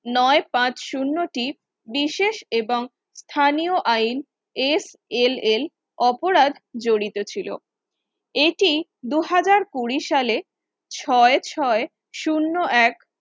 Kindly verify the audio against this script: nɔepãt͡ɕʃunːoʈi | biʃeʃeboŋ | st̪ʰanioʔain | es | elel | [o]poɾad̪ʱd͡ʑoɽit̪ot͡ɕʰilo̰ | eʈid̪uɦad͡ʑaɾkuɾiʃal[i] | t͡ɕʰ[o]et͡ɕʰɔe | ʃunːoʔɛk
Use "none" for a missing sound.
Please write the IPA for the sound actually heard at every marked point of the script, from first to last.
ɔ, e, ɔ

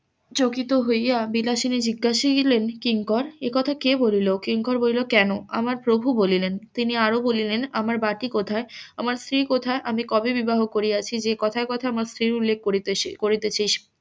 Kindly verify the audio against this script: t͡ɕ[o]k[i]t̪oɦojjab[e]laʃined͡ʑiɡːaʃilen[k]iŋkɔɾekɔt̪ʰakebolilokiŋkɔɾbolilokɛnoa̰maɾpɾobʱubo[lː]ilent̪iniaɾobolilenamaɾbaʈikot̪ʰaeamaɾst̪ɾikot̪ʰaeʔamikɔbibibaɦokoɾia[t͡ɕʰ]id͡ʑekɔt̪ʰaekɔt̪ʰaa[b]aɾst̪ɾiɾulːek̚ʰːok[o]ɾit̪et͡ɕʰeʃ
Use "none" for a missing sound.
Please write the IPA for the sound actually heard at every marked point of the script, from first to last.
o, i, i, k, l, t͡ɕʰ, m, o

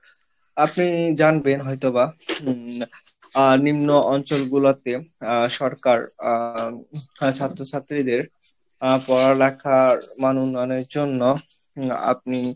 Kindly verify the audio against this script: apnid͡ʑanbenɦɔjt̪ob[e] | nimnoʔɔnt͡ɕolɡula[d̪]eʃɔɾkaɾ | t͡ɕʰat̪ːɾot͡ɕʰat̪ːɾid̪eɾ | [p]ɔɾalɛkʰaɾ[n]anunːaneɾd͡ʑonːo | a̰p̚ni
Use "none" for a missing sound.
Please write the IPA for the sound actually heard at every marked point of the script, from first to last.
a, t̪, p, m

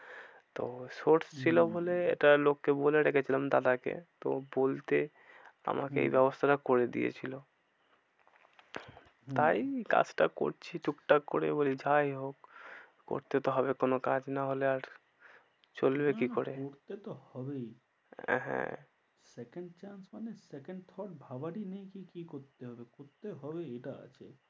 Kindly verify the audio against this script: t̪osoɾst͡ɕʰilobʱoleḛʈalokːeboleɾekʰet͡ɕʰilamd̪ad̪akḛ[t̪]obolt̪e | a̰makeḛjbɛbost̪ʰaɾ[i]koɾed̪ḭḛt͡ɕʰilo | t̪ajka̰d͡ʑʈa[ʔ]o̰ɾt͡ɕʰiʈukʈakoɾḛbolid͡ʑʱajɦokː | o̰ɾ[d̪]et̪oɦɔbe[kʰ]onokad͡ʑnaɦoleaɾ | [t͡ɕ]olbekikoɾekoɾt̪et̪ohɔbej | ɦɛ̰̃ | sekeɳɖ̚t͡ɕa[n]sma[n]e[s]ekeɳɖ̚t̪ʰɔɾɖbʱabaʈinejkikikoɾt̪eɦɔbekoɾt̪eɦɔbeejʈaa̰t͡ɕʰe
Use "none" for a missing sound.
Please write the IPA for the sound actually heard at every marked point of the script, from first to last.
t̪, a, k, t̪, k, t͡ɕ, n, n, s

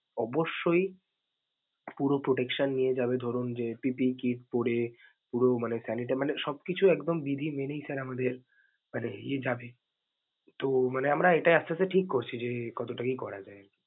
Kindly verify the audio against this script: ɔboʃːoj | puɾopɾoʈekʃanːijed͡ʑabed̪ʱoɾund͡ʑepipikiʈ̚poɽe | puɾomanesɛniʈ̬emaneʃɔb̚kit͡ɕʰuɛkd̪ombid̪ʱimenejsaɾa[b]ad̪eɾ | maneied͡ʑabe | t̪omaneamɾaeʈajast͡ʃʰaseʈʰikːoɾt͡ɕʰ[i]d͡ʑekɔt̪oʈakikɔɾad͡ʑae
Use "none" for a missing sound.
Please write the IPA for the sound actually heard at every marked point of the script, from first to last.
m, i

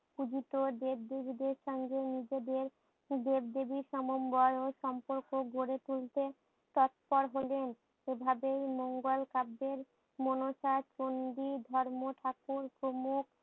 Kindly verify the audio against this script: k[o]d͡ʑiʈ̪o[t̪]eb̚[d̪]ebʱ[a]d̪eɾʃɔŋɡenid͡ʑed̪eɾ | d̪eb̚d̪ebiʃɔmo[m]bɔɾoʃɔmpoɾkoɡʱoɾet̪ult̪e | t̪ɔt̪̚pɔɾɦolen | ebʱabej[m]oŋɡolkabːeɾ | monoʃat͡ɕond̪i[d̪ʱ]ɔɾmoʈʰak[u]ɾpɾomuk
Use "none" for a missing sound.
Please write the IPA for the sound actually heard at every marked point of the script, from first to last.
u, d̪, d̪, i, m, m, d̪ʱ, u

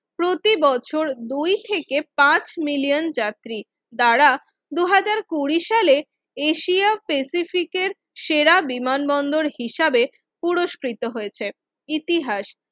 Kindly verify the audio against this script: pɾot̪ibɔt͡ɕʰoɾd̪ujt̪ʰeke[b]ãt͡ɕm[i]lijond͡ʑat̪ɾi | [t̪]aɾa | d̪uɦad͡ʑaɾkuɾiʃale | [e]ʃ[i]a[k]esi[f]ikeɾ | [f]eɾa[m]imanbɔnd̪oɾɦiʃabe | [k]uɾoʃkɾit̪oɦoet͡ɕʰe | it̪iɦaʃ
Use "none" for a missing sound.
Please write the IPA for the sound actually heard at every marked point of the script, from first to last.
p, i, d̪, e, i, p, f, ʃ, b, p

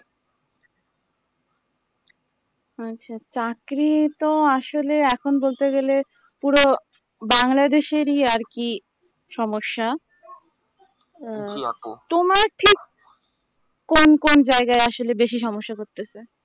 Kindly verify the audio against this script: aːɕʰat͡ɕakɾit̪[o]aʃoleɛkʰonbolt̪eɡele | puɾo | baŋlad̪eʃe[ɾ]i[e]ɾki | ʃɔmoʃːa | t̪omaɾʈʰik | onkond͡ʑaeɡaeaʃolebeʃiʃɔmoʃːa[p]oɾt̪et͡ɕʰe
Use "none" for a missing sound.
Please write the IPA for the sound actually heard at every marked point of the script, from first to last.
o, ɾ, a, k

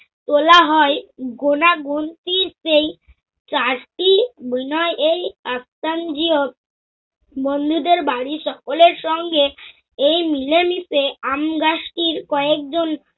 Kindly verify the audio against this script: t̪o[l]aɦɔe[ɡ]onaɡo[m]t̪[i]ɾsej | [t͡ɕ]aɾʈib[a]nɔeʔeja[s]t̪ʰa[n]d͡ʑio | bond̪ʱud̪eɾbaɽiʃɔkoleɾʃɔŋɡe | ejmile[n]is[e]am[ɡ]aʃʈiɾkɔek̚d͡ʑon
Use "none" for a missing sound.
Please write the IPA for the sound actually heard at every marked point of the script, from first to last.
l, ɡ, n, i, t͡ɕ, i, s, n, m, e, ɡ

